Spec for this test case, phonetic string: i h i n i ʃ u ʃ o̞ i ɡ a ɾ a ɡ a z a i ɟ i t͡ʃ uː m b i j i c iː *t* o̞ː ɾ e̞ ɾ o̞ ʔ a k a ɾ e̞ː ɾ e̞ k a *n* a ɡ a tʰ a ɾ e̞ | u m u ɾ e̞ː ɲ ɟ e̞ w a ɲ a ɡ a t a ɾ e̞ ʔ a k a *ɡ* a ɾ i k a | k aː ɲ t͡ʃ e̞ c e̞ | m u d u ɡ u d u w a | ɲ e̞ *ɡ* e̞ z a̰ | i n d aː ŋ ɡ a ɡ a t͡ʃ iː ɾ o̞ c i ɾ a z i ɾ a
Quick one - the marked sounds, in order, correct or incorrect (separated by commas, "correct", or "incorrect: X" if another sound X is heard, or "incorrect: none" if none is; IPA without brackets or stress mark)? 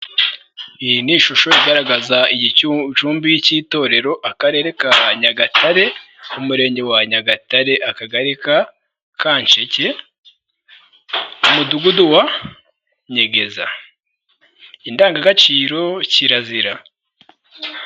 correct, incorrect: ɲ, correct, correct